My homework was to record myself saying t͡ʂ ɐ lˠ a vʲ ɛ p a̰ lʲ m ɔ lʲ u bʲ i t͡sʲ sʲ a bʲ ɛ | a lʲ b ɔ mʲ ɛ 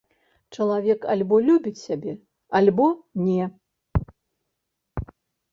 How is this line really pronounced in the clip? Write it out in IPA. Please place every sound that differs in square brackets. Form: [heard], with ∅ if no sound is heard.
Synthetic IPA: t͡ʂ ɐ lˠ a vʲ ɛ [k] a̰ lʲ [b] ɔ lʲ u bʲ i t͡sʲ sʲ a bʲ ɛ | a lʲ b ɔ [nʲ] ɛ